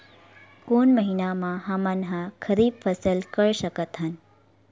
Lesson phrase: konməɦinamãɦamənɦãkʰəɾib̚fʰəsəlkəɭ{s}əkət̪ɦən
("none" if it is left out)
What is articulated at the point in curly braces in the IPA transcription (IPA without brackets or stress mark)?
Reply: ʃ